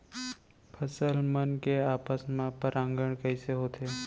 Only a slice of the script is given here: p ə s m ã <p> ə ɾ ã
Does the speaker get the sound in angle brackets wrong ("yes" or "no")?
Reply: no